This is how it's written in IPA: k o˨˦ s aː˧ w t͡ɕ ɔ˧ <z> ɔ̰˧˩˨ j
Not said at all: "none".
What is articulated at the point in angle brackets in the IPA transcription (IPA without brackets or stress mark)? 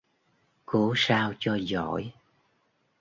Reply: z